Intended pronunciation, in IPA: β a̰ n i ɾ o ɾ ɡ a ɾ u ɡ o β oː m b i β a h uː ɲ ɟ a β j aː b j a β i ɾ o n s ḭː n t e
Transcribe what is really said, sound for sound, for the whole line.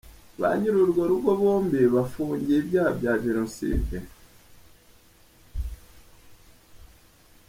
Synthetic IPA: β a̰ ɲ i ɾ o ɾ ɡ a ɾ u ɡ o β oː m b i β a f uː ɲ ɟ e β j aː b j a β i ɾ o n s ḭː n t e